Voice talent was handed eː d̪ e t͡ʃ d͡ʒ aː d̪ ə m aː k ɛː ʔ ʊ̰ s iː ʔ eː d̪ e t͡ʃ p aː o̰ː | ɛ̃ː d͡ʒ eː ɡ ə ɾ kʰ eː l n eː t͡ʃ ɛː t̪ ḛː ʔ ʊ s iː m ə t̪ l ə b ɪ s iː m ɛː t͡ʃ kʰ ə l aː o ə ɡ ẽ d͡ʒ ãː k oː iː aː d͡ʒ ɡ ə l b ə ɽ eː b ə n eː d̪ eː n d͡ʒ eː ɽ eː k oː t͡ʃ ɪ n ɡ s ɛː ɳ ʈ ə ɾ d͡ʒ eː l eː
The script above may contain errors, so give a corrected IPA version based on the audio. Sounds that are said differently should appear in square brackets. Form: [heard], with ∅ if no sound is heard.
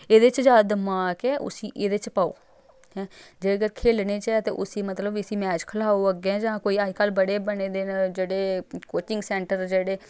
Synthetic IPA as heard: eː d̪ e t͡ʃ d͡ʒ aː d̪ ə m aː k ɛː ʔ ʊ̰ s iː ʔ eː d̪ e t͡ʃ p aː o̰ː | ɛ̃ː d͡ʒ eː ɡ ə ɾ kʰ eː l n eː t͡ʃ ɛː t̪ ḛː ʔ ʊ s iː m ə t̪ l ə b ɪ s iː m ɛː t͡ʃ kʰ ə l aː o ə ɡ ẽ d͡ʒ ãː k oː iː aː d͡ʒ [k] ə l b ə ɽ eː b ə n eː d̪ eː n d͡ʒ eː ɽ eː k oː t͡ʃ ɪ [ŋ] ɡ s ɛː ɳ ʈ ə ɾ d͡ʒ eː [ɽ] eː